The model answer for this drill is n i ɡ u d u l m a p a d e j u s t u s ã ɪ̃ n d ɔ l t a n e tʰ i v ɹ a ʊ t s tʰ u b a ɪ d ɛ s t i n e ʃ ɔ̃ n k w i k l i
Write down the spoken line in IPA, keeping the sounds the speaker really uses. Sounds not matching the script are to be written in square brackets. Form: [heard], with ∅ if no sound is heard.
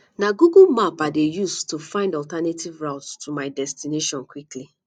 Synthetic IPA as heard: n [a] ɡ u [ɡ] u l m a p a d e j u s t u [f] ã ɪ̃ n d ɔ l t a n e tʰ i v ɹ a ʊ t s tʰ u [m] a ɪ d ɛ s t i n e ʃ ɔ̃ n k w i k l i